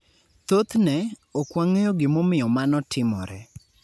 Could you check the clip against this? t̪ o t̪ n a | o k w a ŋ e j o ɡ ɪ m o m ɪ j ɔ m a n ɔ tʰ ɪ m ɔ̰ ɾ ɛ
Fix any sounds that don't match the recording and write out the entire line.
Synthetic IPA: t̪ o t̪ n ɛ | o k w a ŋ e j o ɡ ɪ m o m ɪ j ɔ m a n ɔ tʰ ɪ m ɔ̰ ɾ ɛ